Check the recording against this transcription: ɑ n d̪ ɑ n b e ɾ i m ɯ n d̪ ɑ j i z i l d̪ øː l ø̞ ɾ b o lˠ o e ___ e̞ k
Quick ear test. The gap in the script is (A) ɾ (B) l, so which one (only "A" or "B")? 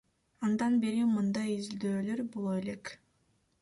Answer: B